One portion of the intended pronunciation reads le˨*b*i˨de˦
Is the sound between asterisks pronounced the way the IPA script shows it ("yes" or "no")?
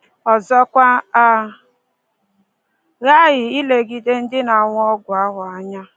no